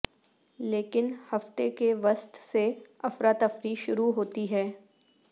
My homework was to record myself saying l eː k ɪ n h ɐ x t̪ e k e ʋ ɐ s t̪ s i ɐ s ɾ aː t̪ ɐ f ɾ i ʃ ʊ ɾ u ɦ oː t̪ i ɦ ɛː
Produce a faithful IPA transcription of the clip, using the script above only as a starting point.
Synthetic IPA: l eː k ɪ n h ɐ f t̪ e k e ʋ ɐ s t̪ s e ɐ f ɾ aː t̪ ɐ f ɾ i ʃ ʊ ɾ u ɦ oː t̪ i ɦ ɛː

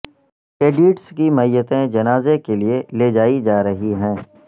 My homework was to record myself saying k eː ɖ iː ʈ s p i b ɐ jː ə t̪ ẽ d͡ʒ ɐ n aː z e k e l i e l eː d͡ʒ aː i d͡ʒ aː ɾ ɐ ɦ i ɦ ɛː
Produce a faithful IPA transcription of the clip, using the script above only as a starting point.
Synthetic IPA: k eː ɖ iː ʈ s k i m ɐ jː ə t̪ ẽ d͡ʒ ɐ n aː z e k e l i e l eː d͡ʒ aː i d͡ʒ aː ɾ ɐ ɦ i ɦ ɛ̃ː

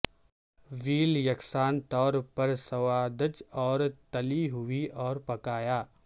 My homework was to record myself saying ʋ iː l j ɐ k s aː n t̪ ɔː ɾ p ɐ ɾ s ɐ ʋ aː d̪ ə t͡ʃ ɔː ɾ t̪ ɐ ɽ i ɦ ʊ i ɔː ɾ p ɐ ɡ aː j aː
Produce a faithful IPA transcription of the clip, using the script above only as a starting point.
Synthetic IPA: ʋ iː l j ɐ k s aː n t̪ ɔː ɾ p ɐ ɾ s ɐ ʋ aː d̪ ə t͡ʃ ɔː ɾ t̪ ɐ l i ɦ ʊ i ɔː ɾ p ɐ k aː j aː

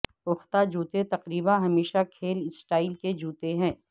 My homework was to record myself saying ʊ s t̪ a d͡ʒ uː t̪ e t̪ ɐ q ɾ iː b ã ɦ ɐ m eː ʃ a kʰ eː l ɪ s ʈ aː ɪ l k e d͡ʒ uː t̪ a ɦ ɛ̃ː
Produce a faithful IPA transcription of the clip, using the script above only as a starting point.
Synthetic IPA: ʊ x t̪ a d͡ʒ uː t̪ e t̪ ɐ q ɾ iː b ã ɦ ɐ m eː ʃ a kʰ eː l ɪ s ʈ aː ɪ l k e d͡ʒ uː t̪ e ɦ ɛ̃ː

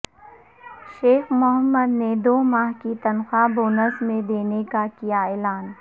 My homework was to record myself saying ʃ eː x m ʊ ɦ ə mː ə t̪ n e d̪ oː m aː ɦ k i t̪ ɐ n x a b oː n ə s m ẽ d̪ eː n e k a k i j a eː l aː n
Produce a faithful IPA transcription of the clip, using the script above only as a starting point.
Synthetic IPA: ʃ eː x m ʊ ɦ ə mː ə d̪ n e d̪ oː m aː ɦ k i t̪ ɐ n x a b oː n ə s m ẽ d̪ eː n e k a k i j a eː l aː n

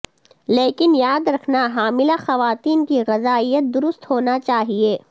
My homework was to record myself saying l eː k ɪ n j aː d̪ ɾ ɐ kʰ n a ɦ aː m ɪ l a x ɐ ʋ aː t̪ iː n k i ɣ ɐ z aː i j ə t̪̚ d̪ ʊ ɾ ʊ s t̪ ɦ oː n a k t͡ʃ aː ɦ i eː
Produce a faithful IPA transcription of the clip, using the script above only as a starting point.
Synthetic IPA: l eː k ɪ n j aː d̪ ɾ ɐ kʰ n a ɦ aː m ɪ l a x ɐ ʋ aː t̪ iː n k i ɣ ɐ z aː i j ə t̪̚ d̪ ʊ ɾ ʊ s t̪ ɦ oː n a t͡ʃ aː ɦ i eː

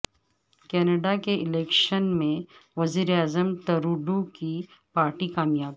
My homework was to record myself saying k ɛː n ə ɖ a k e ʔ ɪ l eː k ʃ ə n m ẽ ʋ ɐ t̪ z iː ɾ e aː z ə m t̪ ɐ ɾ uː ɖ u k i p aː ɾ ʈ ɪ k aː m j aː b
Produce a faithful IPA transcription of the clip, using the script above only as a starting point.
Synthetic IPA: k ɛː n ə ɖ a k e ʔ ɪ l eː k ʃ ə n m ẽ ʋ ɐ z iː ɾ e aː z ə m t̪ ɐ ɾ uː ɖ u k i p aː ɾ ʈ i k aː m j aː b

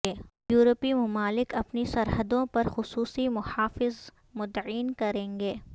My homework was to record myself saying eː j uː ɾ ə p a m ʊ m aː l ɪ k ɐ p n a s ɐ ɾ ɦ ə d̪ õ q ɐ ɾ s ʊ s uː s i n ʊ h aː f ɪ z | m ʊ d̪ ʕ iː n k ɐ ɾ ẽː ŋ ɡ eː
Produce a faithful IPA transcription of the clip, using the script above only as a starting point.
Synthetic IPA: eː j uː ɾ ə p i m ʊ m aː l ɪ k ɐ p n i s ɐ ɾ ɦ ə d̪ õ p ɐ ɾ x ʊ s uː s i m ʊ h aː f ɪ z | m ʊ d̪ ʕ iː n k ɐ ɾ ẽː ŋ ɡ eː

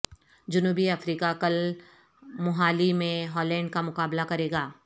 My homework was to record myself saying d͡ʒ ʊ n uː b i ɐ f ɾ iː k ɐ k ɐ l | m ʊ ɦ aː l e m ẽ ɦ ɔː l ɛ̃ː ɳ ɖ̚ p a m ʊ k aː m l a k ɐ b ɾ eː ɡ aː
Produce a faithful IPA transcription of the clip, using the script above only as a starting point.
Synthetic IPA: d͡ʒ ʊ n uː b i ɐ f ɾ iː k a k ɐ l | m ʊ ɦ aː l i m ẽ ɦ ɔː l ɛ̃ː ɳ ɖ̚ k a m ʊ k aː b l a k ɐ ɾ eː ɡ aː

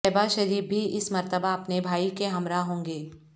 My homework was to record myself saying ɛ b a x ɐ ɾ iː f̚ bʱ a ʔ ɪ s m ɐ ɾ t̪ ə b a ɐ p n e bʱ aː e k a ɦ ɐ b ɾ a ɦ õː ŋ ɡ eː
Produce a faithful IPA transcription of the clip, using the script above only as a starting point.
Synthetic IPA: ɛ b a ʃ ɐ ɾ iː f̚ bʱ i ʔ ɪ s m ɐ ɾ t̪ ə b a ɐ p n e bʱ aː i k e ɦ ɐ m ɾ a ɦ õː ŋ ɡ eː

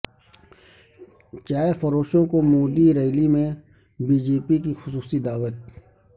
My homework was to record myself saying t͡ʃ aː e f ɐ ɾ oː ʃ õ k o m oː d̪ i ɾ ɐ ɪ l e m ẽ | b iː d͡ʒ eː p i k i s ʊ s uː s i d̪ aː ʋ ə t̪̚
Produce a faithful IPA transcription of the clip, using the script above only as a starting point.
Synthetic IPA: t͡ʃ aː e f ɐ ɾ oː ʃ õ k o m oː d̪ i ɾ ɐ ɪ l i m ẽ | b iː d͡ʒ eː p i k i x ʊ s uː s i d̪ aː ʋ ə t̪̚

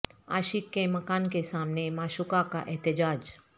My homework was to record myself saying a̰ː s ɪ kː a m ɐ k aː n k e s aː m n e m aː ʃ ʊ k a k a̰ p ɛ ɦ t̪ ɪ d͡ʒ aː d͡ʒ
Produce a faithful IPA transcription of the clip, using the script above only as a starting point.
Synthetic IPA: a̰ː ʃ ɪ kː e m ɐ k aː n k e s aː m n e m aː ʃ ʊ k a k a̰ ʔ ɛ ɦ t̪ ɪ d͡ʒ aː d͡ʒ

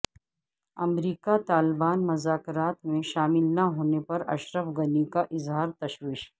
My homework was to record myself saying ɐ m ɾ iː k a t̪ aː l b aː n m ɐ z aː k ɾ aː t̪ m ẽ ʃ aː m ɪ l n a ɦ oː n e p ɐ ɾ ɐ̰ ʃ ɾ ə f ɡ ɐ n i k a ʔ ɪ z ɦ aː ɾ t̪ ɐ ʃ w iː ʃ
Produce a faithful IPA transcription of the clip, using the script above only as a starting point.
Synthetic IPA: ɐ m ɾ iː k a t̪ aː l b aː n m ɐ z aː k ɾ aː t̪ m ẽ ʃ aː m ɪ l n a ɦ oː n e p ɐ ɾ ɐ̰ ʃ ɾ ə f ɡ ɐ n i k a ʔ ɪ z ɦ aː ɾ t̪ ɐ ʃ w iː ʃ

